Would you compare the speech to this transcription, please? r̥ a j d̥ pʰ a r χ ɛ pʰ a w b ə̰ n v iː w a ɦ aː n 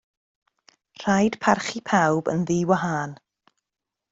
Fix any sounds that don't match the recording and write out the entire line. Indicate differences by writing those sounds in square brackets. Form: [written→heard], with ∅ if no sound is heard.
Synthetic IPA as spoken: r̥ a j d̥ pʰ a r χ [ɛ→i] pʰ a w b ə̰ n [v→ð] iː w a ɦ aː n